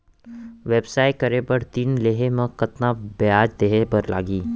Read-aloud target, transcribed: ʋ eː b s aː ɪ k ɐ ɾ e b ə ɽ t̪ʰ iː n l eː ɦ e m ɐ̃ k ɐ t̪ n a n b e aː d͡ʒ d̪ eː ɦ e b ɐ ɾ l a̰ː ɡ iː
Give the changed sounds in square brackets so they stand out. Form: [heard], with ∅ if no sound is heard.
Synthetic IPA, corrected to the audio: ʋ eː b s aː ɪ k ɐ ɾ e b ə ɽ [t̪] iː n l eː ɦ e m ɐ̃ k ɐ t̪ n a [∅] b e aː d͡ʒ d̪ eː ɦ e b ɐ ɾ l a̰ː ɡ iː